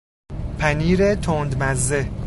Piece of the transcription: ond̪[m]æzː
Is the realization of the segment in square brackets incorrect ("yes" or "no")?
no